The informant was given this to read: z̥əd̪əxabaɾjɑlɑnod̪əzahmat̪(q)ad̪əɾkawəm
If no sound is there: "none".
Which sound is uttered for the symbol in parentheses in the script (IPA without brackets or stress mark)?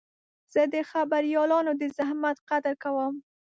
q